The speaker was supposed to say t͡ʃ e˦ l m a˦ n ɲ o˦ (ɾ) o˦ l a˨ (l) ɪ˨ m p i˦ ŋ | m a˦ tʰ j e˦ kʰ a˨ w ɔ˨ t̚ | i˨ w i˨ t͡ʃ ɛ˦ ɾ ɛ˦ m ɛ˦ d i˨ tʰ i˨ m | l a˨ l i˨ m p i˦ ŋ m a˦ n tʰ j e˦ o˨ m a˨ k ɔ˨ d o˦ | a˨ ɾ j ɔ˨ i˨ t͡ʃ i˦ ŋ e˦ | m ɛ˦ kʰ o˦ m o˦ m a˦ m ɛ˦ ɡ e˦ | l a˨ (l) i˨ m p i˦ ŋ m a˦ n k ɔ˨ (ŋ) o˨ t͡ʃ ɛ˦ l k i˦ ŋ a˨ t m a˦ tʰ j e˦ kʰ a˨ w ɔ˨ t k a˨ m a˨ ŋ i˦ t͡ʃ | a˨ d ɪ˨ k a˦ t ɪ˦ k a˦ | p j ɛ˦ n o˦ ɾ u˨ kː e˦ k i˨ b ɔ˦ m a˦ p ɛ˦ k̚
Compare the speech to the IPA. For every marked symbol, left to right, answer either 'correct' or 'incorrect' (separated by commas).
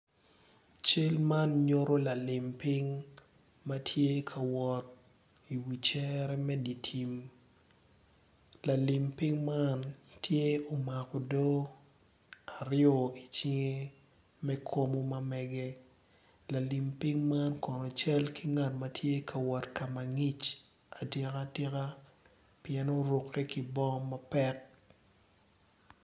correct, correct, correct, incorrect